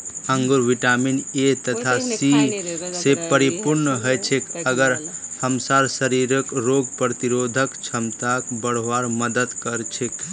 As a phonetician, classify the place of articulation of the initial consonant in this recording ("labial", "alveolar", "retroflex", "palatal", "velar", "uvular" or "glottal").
velar